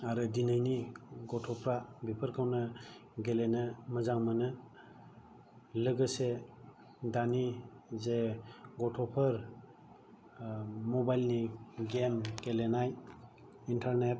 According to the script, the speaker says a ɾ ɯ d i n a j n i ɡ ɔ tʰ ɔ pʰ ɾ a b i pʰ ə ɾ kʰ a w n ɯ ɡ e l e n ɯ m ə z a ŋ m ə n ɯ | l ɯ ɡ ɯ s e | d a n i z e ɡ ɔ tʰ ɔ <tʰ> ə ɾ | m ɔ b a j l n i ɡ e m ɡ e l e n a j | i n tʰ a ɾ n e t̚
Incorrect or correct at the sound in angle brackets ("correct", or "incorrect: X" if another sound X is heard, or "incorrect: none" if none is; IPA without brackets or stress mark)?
incorrect: pʰ